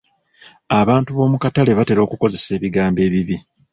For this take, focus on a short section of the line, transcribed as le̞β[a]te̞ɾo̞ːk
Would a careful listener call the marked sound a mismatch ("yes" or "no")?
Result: no